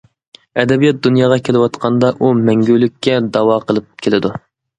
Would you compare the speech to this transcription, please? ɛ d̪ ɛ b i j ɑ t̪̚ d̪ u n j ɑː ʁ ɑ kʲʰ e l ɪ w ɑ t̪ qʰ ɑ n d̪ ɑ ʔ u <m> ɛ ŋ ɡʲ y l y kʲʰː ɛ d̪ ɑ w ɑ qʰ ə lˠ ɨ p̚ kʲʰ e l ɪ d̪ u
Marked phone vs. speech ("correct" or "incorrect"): correct